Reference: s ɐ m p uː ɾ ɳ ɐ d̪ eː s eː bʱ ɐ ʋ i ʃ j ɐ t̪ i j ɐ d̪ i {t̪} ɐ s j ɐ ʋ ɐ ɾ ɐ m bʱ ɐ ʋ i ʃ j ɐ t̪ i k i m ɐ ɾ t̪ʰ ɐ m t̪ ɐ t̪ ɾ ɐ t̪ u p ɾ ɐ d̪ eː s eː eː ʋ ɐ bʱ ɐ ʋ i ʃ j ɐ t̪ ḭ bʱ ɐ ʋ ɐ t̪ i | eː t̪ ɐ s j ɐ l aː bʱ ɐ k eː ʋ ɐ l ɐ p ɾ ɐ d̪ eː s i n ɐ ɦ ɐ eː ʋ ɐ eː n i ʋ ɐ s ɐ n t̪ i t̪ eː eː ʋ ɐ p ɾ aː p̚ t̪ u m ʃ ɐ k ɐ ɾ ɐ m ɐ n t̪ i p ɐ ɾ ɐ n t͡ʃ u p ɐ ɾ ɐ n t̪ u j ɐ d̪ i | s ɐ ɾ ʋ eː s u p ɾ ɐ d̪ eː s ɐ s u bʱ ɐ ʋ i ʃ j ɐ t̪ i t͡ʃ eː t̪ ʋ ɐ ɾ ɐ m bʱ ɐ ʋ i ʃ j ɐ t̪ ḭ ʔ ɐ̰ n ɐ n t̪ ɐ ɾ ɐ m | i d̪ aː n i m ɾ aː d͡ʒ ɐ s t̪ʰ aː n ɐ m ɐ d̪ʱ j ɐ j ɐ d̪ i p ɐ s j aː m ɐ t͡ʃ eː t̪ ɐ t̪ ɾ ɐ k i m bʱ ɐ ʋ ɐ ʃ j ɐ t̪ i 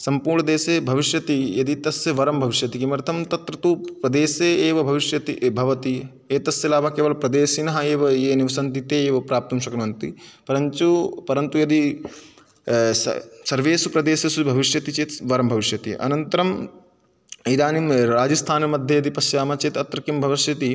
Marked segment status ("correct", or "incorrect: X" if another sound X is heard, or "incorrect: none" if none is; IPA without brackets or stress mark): correct